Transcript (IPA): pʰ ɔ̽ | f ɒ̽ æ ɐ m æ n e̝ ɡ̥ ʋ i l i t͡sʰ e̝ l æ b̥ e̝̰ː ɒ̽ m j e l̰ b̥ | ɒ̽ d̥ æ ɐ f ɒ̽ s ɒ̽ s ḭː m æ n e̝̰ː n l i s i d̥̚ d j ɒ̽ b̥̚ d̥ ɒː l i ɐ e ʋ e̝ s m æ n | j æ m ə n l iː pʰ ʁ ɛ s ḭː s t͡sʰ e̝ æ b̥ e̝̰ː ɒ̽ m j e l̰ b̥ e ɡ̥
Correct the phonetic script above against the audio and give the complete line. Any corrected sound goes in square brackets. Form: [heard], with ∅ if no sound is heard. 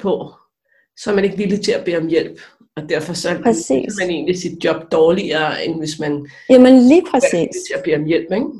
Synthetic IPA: pʰ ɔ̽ | [s] ɒ̽ æ ɐ m æ n e̝ ɡ̥ ʋ i l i t͡sʰ e̝ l æ b̥ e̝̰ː ɒ̽ m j e l̰ b̥ | ɒ̽ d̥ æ ɐ f ɒ̽ s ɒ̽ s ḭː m æ n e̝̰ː n l i s i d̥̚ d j ɒ̽ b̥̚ d̥ ɒː l i ɐ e ʋ e̝ s m æ n | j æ m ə n l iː pʰ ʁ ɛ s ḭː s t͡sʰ e̝ æ b̥ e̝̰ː ɒ̽ m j e l̰ b̥ e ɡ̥